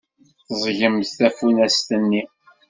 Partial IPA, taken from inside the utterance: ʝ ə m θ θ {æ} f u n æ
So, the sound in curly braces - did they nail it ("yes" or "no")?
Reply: yes